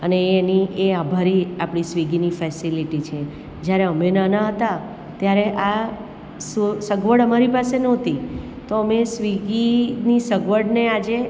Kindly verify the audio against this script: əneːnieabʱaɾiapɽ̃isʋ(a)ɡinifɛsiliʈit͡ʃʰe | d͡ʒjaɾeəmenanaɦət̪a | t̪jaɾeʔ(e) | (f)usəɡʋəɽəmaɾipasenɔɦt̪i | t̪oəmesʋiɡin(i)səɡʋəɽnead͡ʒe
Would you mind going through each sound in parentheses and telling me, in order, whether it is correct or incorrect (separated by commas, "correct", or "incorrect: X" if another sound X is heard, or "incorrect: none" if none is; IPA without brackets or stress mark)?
incorrect: i, incorrect: a, incorrect: s, correct